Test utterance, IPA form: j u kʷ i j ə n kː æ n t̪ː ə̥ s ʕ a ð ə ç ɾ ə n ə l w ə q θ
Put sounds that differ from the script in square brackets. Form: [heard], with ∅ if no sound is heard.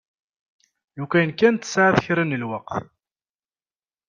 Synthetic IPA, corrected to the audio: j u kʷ [æ] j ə n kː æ n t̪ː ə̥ s ʕ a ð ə ç ɾ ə n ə l w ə q θ